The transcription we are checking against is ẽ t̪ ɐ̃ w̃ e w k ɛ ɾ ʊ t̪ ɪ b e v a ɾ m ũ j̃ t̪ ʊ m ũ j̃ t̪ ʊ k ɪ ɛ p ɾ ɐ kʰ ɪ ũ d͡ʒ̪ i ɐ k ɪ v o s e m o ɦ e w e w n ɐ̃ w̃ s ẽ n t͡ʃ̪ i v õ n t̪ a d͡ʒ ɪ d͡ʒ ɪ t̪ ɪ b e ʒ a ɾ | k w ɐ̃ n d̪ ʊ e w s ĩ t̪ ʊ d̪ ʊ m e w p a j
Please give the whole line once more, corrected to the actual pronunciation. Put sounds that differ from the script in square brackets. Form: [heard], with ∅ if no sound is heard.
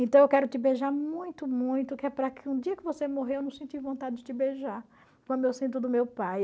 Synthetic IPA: ẽ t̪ ɐ̃ w̃ e w k ɛ ɾ ʊ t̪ ɪ b e [ʒ] a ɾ m ũ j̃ t̪ ʊ m ũ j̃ t̪ ʊ k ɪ ɛ p ɾ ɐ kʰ ɪ ũ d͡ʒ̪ i ɐ k ɪ v o s e m o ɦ e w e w n ɐ̃ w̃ s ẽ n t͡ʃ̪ i v õ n t̪ a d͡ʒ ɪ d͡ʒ ɪ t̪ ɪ b e ʒ a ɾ | k w ɐ̃ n d̪ ʊ e w s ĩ t̪ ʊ d̪ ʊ m e w p a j